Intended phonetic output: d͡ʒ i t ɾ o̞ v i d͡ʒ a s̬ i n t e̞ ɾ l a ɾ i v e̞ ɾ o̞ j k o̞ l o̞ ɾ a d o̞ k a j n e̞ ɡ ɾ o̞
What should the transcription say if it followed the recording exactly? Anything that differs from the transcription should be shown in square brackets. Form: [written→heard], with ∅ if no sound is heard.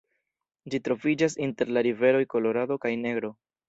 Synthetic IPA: d͡ʒ i t ɾ o̞ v i d͡ʒ a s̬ i n t e̞ ɾ l a ɾ i v e̞ ɾ o̞ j k o̞ l o̞ ɾ a d o̞ k a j n e̞ ɡ ɾ o̞